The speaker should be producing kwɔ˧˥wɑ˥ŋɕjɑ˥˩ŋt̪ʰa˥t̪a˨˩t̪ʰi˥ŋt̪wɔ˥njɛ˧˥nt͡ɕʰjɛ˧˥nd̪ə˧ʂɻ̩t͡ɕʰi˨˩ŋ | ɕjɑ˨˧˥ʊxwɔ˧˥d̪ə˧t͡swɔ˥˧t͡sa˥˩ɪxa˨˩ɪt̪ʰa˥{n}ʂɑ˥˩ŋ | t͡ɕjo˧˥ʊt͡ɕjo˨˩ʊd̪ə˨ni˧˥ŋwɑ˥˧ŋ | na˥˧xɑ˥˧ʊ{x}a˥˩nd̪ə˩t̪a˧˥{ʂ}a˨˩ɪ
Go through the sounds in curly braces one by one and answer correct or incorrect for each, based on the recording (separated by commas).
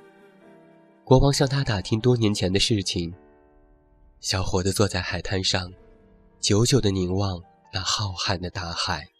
correct, correct, incorrect